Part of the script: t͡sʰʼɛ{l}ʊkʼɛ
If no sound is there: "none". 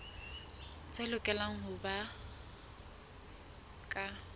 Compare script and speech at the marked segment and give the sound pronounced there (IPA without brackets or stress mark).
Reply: l